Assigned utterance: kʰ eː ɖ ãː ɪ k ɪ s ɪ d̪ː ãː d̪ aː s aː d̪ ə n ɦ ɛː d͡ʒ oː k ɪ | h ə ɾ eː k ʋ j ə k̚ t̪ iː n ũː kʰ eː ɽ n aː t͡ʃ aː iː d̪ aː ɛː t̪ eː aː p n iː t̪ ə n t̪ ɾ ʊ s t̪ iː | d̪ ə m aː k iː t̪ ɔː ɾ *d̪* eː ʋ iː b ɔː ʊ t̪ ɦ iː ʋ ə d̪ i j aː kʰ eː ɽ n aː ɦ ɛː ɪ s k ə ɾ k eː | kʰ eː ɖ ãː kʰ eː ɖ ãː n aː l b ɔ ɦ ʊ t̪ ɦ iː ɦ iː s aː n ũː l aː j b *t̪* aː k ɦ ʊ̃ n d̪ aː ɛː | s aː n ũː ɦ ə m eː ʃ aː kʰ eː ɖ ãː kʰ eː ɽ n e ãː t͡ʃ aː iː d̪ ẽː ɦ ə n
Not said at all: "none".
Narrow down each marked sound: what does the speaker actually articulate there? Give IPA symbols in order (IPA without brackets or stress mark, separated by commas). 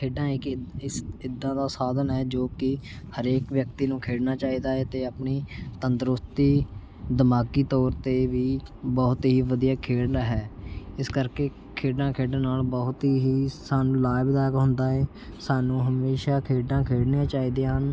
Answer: t̪, d̪